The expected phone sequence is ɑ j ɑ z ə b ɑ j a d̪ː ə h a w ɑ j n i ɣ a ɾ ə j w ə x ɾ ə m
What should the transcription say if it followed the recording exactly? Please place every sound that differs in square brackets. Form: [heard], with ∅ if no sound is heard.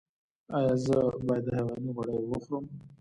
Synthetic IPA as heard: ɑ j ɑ z ə b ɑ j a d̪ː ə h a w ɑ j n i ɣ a [ɽ] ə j w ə x ɾ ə m